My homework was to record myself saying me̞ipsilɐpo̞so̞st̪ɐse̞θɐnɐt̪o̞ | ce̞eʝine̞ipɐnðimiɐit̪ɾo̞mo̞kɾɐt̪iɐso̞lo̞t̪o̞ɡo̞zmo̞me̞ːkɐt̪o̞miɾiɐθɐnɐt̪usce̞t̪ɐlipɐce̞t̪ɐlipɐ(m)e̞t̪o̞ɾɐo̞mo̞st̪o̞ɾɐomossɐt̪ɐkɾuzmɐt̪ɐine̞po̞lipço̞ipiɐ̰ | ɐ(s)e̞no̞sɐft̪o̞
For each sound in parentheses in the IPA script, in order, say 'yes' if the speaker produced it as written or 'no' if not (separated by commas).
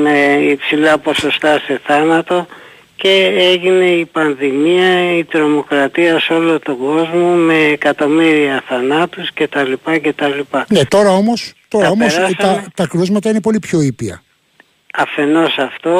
no, no